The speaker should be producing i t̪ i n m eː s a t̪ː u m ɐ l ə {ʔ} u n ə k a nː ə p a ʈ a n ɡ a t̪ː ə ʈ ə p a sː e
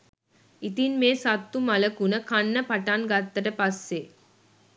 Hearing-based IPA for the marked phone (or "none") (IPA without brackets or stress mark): k